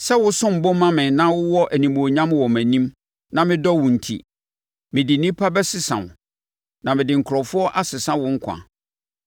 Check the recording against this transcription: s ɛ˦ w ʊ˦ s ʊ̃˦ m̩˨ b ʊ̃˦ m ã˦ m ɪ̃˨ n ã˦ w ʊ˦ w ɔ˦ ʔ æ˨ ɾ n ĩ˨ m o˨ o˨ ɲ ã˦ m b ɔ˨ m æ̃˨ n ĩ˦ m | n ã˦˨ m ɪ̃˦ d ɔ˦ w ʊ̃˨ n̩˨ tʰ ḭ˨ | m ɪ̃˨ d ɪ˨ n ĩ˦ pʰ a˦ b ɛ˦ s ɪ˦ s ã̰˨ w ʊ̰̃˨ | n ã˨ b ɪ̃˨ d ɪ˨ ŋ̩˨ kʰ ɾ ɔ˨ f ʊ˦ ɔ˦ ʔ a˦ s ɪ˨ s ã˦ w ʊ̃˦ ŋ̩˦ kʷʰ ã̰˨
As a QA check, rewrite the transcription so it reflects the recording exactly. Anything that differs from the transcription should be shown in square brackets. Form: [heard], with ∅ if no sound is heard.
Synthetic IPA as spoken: s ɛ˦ w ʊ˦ s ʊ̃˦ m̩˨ b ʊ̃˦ m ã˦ m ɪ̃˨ n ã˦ w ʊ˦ w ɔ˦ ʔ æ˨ [∅] n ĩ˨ m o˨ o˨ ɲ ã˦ m [w] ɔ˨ m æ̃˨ n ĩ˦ m | n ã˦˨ m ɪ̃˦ d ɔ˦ w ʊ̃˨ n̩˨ tʰ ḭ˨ | m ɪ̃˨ d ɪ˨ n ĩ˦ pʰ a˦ b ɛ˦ s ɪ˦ s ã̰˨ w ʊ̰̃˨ | n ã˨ [m] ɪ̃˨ d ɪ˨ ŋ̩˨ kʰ ɾ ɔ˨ f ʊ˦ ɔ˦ ʔ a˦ s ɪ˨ s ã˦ w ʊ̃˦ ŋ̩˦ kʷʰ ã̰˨

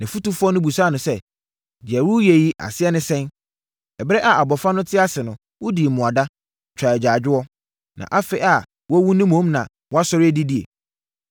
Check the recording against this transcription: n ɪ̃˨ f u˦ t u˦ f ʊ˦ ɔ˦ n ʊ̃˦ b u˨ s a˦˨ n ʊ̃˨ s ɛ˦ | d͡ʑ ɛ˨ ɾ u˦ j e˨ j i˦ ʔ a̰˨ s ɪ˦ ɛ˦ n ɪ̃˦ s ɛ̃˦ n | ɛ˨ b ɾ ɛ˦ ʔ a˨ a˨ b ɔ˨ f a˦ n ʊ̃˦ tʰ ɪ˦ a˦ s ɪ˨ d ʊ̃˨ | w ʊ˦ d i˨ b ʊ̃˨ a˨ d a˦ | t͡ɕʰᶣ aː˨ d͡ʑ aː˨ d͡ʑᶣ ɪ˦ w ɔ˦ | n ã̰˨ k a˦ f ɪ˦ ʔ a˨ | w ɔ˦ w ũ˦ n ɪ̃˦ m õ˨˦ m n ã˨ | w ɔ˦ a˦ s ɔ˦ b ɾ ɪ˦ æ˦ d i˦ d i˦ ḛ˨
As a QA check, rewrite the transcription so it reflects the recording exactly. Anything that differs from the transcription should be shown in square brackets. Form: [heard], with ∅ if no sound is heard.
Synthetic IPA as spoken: n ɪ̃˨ f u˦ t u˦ f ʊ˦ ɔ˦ n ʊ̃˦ b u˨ s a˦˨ n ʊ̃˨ s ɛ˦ | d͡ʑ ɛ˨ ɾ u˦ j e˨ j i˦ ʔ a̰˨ s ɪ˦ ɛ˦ n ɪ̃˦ s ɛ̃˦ n | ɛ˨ b ɾ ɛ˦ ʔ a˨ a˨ b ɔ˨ f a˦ n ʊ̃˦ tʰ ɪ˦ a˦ s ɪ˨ [n] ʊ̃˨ | w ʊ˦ d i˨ [m] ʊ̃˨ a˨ d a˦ | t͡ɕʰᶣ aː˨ d͡ʑ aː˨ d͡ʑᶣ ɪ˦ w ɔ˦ | n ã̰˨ [ʔ] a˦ f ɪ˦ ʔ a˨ | w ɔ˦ w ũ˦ n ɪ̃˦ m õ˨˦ m n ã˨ | w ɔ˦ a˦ s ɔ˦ [∅] ɾ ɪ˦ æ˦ d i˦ d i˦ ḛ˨

